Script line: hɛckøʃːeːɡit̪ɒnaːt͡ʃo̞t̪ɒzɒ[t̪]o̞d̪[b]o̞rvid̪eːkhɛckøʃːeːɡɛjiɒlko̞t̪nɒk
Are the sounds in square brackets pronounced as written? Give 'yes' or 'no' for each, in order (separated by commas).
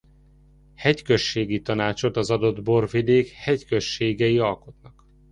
no, yes